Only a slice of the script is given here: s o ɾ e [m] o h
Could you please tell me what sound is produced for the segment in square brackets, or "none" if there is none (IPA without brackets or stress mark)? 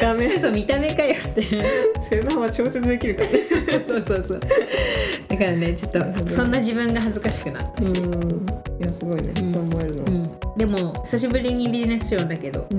n